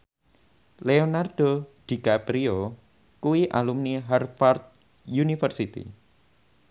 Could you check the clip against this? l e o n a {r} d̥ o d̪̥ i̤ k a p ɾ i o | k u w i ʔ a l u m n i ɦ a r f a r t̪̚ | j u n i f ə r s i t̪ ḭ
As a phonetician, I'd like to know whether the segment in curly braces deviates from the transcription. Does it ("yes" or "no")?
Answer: no